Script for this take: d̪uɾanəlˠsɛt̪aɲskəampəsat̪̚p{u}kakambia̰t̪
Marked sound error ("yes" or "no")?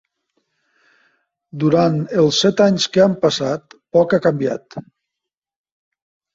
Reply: yes